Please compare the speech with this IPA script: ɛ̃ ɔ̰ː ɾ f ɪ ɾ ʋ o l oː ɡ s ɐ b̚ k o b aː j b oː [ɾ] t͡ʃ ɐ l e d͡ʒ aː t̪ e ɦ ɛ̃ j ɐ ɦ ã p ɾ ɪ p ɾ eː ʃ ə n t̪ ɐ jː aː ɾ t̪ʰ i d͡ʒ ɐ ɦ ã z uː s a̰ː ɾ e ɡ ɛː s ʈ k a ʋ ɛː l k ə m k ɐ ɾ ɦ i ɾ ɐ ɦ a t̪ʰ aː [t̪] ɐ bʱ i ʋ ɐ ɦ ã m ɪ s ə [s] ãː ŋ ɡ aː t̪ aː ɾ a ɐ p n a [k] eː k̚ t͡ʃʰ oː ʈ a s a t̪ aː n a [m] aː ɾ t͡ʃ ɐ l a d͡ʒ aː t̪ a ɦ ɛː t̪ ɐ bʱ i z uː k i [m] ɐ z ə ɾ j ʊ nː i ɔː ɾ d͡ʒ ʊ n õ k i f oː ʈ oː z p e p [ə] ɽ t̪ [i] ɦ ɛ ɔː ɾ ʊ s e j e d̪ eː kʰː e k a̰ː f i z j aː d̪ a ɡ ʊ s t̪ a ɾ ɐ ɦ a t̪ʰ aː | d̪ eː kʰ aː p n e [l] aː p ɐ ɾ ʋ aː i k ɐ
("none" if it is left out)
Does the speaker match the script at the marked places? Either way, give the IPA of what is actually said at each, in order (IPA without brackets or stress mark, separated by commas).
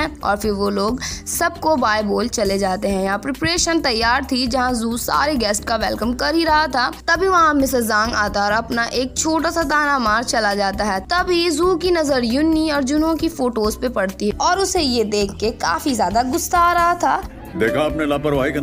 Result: l, t̪, z, ʔ, m, n, ɐ, i, l